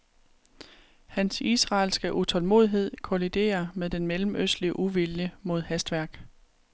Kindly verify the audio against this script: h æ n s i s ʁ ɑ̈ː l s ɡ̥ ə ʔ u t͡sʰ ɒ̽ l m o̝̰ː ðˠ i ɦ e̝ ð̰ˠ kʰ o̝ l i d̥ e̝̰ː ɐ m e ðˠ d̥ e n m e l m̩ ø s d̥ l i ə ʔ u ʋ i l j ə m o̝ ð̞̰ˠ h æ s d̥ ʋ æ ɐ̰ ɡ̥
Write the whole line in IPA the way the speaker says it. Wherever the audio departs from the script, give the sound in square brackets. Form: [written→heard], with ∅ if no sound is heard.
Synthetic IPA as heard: h æ n s i s ʁ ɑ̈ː l s ɡ̥ ə ʔ u t͡sʰ ɒ̽ l m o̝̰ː ðˠ i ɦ e̝ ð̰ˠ kʰ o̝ l i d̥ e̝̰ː ɐ m e ðˠ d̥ e n m e l m̩ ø s d̥ l i ə ʔ u ʋ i l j ə m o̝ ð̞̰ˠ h æ s d̥ ʋ æ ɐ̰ ɡ̥